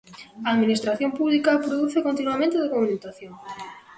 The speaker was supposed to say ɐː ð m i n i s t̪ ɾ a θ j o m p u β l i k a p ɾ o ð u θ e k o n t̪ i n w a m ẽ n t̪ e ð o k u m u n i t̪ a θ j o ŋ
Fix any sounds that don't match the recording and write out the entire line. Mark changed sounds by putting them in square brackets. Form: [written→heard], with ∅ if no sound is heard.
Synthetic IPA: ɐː ð m i n i s t̪ ɾ a θ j o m p u β l i k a p ɾ o ð u θ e k o n t̪ i n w a m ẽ n t̪ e ð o k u m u n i t̪ a θ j o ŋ